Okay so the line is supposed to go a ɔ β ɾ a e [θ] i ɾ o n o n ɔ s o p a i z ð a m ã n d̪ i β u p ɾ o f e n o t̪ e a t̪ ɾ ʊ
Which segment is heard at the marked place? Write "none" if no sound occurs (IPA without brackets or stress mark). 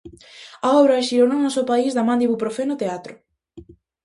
ʃ